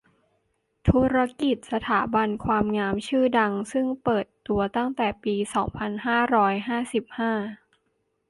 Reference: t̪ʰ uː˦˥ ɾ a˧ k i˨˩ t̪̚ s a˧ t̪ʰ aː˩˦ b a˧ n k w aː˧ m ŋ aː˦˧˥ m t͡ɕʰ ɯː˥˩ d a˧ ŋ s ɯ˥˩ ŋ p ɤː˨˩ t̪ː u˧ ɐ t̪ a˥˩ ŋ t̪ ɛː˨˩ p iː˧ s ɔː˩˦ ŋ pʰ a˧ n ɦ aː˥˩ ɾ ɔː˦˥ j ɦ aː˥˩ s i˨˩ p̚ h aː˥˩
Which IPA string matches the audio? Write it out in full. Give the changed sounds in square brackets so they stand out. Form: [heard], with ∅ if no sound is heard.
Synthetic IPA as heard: t̪ʰ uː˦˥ ɾ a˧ k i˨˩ t̪̚ s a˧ t̪ʰ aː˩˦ b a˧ n [kʰ] w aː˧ m ŋ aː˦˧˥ m t͡ɕʰ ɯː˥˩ d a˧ ŋ s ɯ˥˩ ŋ p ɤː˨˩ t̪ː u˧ ɐ t̪ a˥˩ ŋ t̪ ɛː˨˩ p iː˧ s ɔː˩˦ ŋ pʰ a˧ n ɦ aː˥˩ ɾ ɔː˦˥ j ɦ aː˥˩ s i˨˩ p̚ h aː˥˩